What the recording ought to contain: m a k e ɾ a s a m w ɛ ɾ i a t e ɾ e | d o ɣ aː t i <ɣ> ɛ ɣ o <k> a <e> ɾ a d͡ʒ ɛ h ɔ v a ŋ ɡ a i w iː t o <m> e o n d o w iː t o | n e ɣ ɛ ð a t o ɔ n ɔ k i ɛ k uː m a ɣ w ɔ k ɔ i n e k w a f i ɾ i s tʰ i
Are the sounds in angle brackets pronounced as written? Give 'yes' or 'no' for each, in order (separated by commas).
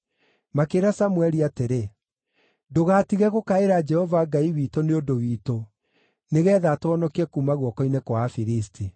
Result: yes, yes, yes, no